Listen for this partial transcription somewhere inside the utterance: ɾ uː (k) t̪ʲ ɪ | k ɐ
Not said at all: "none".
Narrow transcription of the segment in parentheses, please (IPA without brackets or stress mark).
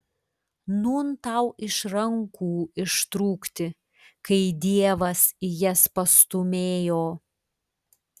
k